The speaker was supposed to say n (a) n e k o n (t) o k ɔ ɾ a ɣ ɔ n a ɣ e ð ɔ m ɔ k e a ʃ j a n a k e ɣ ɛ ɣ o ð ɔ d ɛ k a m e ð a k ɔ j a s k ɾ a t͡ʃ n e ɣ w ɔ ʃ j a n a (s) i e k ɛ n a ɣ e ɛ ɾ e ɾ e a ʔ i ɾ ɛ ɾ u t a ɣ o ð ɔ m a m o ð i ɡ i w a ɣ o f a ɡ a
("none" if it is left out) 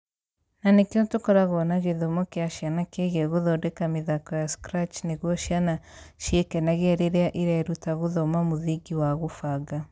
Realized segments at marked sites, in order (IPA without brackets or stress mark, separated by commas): a, t, ʃ